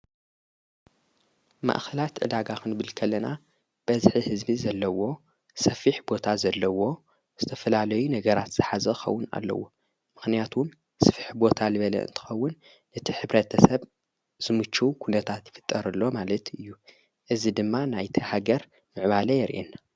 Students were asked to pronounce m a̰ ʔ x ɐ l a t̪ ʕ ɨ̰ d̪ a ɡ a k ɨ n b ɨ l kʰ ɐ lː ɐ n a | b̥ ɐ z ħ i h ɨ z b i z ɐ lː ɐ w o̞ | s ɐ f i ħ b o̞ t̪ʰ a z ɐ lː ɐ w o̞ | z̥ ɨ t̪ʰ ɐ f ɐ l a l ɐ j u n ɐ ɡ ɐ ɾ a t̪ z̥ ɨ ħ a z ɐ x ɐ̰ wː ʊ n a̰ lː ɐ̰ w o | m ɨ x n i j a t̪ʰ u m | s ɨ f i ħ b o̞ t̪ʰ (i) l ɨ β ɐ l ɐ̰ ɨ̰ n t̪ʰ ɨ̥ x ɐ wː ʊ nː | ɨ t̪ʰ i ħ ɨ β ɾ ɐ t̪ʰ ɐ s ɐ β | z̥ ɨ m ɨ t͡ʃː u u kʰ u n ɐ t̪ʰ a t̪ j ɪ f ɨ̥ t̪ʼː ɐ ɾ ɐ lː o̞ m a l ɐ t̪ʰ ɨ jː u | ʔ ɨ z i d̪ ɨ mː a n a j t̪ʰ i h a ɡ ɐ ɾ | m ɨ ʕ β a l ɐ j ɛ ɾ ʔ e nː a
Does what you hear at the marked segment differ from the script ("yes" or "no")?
yes